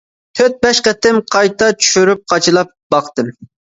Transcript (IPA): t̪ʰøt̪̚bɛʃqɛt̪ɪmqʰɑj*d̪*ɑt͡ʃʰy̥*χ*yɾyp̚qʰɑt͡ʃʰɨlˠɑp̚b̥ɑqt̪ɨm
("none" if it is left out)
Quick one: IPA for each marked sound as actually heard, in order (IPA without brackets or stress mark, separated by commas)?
t̪, ʃ